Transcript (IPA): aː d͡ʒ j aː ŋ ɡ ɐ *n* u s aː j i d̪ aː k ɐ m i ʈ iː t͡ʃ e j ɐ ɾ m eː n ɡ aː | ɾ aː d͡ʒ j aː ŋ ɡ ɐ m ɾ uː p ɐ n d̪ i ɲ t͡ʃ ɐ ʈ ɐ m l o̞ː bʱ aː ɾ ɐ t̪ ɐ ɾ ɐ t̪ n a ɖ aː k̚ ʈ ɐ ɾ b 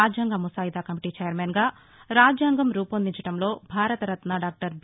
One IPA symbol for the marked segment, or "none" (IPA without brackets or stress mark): m